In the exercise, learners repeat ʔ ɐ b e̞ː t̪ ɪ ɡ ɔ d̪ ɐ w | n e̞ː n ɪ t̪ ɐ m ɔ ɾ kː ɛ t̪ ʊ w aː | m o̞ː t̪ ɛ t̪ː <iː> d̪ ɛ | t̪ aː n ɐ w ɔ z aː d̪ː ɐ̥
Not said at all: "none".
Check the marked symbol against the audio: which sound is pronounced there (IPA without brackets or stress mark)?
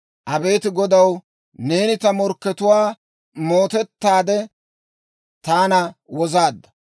aː